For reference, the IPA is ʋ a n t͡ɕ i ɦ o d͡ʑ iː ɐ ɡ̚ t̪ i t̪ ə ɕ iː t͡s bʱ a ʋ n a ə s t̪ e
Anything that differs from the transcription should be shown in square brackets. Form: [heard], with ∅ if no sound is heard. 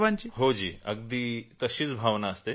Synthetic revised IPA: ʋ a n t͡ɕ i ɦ o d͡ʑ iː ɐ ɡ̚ [d̪] i t̪ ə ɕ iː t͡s bʱ a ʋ n a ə s t̪ e